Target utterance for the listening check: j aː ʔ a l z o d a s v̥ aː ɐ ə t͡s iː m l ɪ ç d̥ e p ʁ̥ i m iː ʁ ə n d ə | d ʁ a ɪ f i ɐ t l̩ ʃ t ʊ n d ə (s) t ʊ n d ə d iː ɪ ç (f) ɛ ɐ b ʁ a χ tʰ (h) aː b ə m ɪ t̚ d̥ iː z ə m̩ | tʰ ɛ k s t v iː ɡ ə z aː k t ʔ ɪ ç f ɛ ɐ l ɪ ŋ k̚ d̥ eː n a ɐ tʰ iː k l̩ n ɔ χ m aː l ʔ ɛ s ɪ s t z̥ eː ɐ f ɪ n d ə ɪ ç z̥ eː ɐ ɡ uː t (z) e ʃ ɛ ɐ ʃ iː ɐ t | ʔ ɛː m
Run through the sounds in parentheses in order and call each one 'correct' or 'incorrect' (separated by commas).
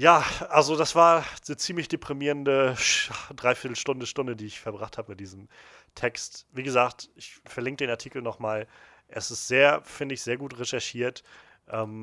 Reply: incorrect, correct, correct, incorrect